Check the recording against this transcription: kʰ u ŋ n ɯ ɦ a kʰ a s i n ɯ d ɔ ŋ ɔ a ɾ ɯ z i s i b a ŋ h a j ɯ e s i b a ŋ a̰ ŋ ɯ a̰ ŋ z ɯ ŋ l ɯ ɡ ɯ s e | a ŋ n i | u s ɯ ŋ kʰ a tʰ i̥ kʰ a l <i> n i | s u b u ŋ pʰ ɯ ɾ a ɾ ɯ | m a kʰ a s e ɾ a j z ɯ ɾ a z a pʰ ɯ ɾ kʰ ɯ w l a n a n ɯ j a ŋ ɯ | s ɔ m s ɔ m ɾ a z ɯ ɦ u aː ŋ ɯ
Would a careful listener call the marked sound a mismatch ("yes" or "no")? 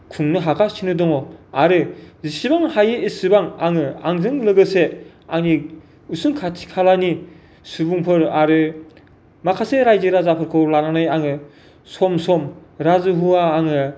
yes